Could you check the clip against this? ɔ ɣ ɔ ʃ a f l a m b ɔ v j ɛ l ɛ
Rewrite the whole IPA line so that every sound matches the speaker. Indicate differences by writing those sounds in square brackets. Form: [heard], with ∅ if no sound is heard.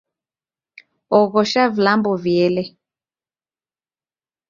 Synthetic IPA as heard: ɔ ɣ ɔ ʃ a [v] l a m b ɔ v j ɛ l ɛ